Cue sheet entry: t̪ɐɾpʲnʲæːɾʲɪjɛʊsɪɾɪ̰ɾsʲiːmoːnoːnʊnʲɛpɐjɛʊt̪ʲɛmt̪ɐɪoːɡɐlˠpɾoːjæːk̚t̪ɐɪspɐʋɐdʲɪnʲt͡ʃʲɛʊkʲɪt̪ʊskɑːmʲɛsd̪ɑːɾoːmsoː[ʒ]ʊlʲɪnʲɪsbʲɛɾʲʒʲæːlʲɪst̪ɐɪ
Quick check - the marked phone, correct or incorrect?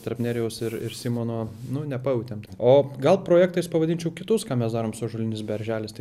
correct